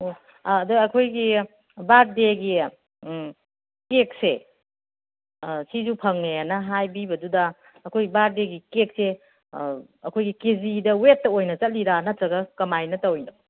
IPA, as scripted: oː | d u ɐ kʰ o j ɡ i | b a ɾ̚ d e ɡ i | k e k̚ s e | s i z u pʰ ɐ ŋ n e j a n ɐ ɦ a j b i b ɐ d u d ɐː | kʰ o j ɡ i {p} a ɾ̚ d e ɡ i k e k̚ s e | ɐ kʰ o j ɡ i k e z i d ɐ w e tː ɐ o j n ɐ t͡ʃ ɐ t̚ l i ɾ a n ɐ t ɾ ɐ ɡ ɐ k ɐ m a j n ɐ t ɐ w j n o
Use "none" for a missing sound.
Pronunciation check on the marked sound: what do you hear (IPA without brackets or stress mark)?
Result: b